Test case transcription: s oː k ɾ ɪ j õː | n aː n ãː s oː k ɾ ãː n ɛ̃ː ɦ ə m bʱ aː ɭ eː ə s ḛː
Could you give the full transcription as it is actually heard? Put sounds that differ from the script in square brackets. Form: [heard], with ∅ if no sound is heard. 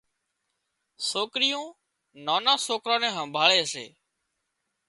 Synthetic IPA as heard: s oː k ɾ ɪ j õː | n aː n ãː s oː k ɾ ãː n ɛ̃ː ɦ ə m bʱ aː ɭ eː ə s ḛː